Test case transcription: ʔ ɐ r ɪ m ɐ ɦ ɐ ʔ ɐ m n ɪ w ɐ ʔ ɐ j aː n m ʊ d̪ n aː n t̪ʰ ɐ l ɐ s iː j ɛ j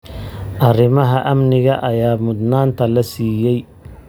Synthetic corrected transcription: ʔ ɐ r ɪ m ɐ ɦ ɐ ʔ ɐ m n ɪ ɣ ɐ ʔ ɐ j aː m ʊ d̪ n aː n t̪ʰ ɐ l ɐ s iː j ɛ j